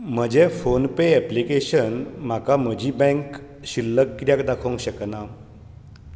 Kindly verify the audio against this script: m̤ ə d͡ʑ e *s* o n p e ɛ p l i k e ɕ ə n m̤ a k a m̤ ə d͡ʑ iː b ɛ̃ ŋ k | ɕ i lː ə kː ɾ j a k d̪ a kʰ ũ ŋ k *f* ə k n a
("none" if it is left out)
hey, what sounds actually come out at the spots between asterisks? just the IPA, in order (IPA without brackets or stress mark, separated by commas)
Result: f, ɕ